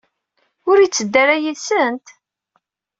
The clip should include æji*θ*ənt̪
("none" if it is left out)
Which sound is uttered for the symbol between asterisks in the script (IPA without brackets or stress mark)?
s